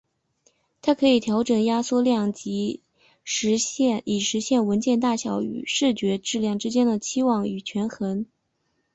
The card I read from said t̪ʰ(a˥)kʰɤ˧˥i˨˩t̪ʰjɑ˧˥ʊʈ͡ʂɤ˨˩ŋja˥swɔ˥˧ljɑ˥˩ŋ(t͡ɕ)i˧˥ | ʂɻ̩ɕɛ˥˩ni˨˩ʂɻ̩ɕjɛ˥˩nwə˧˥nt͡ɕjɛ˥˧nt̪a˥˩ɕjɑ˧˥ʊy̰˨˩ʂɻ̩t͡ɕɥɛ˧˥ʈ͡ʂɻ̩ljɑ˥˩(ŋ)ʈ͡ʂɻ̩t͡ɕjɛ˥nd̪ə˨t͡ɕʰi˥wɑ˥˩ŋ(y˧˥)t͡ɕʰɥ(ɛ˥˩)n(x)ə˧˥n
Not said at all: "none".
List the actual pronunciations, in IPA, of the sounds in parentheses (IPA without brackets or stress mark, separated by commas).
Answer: a˥, t͡ɕ, ŋ, y˨˩, ɛ˧˥, x